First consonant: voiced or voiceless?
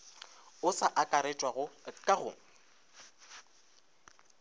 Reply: voiceless